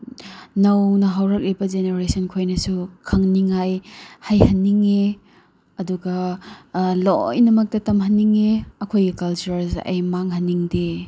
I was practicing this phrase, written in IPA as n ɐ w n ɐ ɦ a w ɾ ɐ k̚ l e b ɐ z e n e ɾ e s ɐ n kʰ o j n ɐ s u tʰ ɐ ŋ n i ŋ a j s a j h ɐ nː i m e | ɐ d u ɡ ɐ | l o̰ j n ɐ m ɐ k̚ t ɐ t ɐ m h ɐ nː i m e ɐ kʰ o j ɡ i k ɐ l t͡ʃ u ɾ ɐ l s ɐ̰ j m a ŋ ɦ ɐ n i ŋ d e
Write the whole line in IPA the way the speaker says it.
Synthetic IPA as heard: n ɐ w n ɐ ɦ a w ɾ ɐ k̚ l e b ɐ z e n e ɾ e s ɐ n kʰ o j n ɐ s u kʰ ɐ ŋ n i ŋ a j h a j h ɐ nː i ŋ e | ɐ d u ɡ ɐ | l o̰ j n ɐ m ɐ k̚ t ɐ t ɐ m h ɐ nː i ŋ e ɐ kʰ o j ɡ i k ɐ l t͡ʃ u ɾ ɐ l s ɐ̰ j m a ŋ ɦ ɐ n i ŋ d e